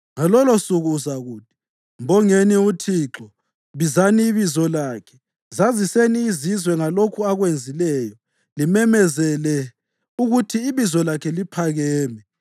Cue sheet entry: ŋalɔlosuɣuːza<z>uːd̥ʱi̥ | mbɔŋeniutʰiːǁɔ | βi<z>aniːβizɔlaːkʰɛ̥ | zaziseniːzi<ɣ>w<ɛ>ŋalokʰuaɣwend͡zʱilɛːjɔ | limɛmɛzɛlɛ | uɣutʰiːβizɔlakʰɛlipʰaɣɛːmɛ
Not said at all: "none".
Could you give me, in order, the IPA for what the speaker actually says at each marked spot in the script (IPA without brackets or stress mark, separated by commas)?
ɣ, z, z, ɛ